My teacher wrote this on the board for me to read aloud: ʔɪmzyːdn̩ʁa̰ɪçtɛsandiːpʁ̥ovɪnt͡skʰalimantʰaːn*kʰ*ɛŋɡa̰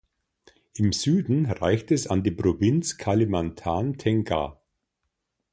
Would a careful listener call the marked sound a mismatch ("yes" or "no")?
yes